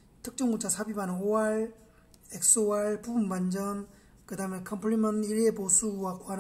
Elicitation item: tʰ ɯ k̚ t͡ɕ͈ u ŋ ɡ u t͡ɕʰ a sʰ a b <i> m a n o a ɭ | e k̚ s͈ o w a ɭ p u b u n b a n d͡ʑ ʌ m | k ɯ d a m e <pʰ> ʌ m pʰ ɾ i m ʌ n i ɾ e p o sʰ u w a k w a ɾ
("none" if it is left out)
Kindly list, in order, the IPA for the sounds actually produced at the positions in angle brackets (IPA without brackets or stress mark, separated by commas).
i, kʰ